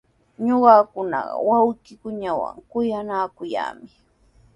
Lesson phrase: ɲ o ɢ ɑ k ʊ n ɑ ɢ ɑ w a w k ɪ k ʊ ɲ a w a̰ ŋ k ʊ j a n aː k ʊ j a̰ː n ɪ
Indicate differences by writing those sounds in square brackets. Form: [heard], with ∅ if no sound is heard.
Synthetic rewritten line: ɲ o ɢ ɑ k ʊ n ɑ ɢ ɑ w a w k ɪ k ʊ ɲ a w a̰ ŋ k ʊ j a n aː k ʊ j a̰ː [m] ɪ